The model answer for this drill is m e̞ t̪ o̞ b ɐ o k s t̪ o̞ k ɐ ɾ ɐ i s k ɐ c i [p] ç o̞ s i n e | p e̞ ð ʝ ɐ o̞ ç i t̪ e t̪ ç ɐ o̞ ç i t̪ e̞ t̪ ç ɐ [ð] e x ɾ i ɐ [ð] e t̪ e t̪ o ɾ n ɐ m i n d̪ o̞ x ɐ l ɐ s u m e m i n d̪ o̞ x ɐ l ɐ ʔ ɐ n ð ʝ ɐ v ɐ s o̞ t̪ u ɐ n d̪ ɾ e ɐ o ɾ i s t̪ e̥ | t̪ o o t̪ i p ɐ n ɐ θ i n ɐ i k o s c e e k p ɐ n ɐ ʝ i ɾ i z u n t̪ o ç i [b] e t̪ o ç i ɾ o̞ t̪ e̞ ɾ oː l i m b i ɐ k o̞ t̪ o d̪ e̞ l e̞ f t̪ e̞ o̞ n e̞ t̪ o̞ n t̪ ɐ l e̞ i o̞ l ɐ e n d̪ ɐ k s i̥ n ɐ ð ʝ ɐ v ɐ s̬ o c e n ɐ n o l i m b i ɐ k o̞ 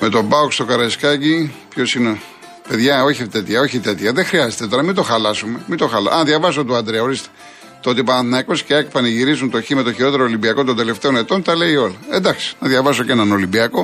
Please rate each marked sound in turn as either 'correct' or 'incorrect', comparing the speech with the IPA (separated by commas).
correct, correct, incorrect, incorrect